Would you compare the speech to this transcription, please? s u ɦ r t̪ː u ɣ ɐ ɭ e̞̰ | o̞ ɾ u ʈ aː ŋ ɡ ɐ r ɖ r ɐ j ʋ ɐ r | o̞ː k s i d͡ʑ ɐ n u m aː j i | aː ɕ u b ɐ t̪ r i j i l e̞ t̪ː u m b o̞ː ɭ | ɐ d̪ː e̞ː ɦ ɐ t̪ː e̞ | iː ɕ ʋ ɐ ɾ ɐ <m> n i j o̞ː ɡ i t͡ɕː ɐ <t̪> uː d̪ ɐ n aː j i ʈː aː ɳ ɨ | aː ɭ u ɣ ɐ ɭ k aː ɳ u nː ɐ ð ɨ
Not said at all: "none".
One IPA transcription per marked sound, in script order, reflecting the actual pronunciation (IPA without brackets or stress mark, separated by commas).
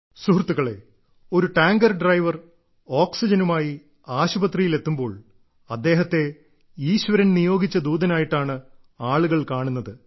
n, d̪